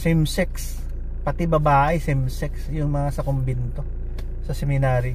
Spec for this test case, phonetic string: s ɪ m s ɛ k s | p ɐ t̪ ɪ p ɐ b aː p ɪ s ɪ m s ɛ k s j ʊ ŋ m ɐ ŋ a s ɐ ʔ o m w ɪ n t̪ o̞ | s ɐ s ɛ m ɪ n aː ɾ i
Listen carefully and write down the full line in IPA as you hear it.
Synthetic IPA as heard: s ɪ m s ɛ k s | p ɐ t̪ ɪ b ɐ b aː ʔ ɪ s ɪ m s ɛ k s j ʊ ŋ m ɐ ŋ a s ɐ k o m b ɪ n t̪ o̞ | s ɐ s ɛ m ɪ n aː ɾ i